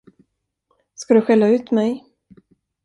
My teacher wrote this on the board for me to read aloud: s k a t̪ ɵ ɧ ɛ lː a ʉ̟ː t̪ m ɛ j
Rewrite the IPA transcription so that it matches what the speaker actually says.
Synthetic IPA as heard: s k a d̪ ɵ ɧ ɛ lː a ʉ̟ː t̪ m ɛ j